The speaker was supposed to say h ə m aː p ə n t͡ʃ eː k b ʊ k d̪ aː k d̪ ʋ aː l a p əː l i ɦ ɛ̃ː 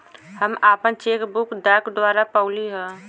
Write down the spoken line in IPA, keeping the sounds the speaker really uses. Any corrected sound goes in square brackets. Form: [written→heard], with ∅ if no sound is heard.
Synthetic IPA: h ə m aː p ə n t͡ʃ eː k b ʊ k d̪ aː k d̪ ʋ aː [l→ɾ] a p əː l i ɦ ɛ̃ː